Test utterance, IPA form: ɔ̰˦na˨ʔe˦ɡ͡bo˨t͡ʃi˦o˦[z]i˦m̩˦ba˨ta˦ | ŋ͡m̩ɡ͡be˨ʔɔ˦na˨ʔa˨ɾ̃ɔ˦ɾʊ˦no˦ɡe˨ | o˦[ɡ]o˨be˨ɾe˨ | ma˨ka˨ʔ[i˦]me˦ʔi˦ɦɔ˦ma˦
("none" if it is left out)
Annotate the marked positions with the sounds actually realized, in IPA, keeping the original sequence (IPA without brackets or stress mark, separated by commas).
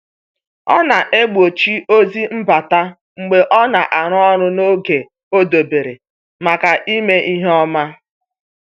z, d, i˦